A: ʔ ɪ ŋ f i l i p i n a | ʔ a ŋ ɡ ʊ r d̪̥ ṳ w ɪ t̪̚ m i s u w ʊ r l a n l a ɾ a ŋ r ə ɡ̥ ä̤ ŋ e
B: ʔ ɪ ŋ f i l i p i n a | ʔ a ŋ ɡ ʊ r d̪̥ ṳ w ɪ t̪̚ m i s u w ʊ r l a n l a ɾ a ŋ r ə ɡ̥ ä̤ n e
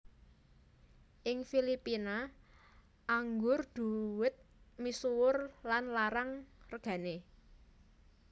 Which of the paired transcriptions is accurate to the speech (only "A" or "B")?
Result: B